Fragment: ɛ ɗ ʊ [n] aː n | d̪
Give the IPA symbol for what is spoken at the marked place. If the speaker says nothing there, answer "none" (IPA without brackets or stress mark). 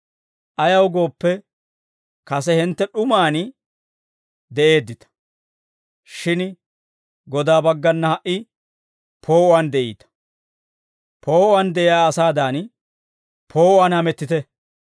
m